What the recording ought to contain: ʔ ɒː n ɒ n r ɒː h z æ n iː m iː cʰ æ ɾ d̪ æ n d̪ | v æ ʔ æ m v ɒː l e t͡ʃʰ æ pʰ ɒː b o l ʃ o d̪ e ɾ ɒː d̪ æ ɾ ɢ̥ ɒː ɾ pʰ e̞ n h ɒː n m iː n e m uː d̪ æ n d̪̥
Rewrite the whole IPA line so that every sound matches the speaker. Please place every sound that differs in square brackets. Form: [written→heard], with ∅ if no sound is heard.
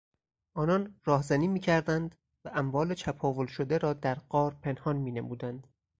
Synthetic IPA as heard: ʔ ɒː n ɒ n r ɒː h z æ n iː m iː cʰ æ ɾ d̪ æ n d̪ | v æ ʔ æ m v ɒː l e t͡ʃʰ æ pʰ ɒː [b→v] o l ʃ o d̪ e ɾ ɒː d̪ æ ɾ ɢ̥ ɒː ɾ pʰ e̞ n h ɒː n m iː n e m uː d̪ æ n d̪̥

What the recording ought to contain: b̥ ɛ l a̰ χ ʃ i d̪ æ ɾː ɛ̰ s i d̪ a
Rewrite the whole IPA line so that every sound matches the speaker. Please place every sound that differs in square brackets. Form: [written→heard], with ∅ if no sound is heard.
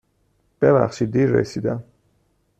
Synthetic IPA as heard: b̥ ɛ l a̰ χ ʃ i d̪ [æ→i] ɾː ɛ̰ s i d̪ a

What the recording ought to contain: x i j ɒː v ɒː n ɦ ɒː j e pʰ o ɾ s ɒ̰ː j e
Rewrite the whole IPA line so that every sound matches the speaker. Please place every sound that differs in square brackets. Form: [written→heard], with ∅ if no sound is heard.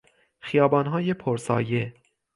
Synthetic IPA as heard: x i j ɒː [v→b] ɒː n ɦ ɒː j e pʰ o ɾ s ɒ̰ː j e

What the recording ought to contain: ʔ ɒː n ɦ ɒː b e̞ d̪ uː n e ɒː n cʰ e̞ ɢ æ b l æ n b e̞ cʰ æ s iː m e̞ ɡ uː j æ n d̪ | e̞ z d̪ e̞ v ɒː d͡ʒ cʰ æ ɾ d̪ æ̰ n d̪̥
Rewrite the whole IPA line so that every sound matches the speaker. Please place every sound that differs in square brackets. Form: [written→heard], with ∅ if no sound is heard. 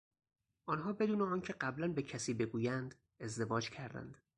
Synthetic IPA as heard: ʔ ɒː n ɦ ɒː b e̞ d̪ uː n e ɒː n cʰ e̞ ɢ æ b l æ n b e̞ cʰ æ s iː [m→b] e̞ ɡ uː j æ n d̪ | e̞ z d̪ e̞ v ɒː d͡ʒ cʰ æ ɾ d̪ æ̰ n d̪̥

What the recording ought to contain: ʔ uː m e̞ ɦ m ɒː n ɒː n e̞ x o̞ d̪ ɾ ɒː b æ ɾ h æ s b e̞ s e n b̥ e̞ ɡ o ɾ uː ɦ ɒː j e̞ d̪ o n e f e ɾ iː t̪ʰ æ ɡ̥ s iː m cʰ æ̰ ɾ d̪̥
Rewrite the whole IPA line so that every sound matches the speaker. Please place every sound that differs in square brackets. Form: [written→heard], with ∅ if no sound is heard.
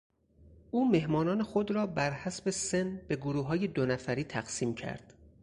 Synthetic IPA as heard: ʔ uː m e̞ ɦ m ɒː n ɒː n e̞ x o̞ d̪ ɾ ɒː b æ ɾ h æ s b e̞ s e n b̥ e̞ ɡ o ɾ uː ɦ ɒː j e̞ d̪ o n [e→æ] f [e→æ] ɾ iː t̪ʰ æ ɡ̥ s iː m cʰ æ̰ ɾ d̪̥

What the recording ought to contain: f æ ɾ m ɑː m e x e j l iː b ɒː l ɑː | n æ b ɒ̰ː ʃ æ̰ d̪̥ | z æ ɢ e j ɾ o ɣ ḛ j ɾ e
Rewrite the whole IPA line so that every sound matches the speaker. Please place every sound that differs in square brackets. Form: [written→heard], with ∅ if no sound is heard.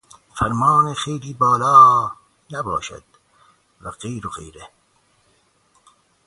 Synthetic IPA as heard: f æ ɾ m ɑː [m→n] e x e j l iː b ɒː l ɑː | n æ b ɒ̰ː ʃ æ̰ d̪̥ | [z→v] æ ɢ e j ɾ o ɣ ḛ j ɾ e

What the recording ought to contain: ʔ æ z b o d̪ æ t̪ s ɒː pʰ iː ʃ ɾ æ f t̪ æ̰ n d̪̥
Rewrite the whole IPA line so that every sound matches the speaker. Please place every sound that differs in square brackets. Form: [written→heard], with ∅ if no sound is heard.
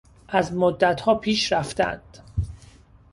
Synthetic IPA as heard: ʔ æ z [b→m] o [d̪→d̪ː] æ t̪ [s→h] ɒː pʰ iː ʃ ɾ æ f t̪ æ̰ n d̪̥

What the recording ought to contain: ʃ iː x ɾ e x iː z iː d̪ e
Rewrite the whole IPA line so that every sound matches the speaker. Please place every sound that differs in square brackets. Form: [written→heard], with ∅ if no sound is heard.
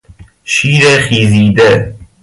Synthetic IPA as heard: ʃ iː [x→∅] ɾ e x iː z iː d̪ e

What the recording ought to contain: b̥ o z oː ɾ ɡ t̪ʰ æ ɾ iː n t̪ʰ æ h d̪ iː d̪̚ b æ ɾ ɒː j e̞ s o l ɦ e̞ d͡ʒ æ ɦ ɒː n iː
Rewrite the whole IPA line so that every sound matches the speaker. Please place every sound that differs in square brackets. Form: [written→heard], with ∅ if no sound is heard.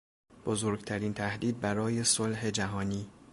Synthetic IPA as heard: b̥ o z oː ɾ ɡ t̪ʰ æ ɾ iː n t̪ʰ æ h d̪ iː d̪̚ b æ ɾ ɒː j e̞ s o l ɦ e̞ d͡ʒ æ ɦ ɒː n iː

